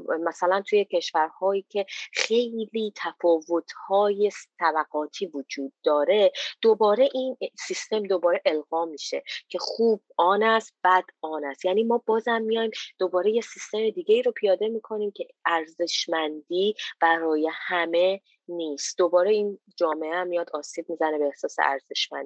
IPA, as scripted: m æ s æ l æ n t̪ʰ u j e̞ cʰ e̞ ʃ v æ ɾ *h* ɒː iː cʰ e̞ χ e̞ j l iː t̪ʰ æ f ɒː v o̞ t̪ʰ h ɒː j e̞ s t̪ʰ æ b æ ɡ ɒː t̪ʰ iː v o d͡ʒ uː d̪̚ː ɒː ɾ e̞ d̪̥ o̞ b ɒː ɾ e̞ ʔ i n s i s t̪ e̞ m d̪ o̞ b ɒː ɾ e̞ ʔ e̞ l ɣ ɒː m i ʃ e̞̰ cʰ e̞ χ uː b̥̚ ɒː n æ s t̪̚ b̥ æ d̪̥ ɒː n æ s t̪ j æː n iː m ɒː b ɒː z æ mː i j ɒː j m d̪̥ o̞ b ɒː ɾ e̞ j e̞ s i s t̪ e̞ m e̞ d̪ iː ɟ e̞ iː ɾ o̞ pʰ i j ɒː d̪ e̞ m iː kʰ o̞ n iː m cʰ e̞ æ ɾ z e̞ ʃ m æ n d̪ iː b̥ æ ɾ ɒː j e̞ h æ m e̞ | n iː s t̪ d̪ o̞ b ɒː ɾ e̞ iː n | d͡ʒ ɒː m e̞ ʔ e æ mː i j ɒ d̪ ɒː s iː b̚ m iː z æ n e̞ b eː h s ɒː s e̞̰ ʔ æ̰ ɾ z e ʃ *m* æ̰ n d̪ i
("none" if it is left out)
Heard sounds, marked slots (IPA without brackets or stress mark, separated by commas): h, m